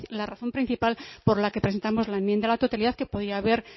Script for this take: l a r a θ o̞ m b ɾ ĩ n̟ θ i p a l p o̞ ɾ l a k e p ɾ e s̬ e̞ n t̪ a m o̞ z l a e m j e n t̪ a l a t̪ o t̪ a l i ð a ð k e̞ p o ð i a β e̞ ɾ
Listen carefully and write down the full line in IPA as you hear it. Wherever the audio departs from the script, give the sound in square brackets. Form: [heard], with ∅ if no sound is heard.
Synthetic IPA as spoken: l a r a θ o̞ m [p] ɾ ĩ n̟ θ i p a l p o̞ ɾ l a k e p ɾ e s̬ e̞ n t̪ a m o̞ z l a e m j e n [d̪] a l a t̪ o t̪ a l i ð a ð k e̞ p o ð i a β e̞ ɾ